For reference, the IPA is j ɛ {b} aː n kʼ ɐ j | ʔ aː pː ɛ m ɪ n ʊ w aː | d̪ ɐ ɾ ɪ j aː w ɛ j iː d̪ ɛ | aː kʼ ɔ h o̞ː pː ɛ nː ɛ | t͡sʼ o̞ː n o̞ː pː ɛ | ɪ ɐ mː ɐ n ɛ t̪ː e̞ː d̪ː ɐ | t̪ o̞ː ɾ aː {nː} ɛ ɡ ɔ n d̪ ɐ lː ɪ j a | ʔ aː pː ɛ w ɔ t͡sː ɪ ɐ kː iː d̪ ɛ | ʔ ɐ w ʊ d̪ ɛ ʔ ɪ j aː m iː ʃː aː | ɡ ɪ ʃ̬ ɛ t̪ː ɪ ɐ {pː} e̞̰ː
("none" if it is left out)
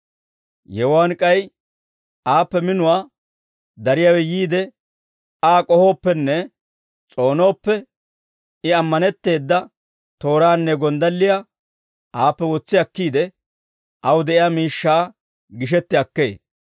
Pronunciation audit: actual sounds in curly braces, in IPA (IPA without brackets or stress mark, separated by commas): w, nː, kː